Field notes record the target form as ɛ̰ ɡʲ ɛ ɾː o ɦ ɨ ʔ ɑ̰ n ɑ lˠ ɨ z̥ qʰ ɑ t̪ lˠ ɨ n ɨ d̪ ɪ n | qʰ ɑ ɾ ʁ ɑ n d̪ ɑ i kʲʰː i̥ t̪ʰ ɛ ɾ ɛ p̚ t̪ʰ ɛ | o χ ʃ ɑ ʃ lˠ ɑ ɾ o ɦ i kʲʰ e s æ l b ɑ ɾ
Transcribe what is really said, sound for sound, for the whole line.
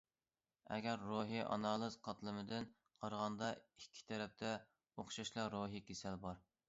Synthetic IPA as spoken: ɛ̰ ɡʲ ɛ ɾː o ɦ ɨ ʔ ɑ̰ n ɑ lˠ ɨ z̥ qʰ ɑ t̪ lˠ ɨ m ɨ d̪ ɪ n | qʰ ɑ ɾ ʁ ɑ n d̪ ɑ i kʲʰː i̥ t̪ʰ ɛ ɾ ɛ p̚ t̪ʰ ɛ | o χ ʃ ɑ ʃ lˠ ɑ ɾ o ɦ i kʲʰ e s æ l b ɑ ɾ